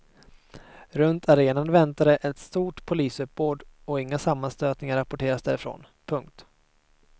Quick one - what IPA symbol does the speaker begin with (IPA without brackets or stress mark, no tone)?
ɾ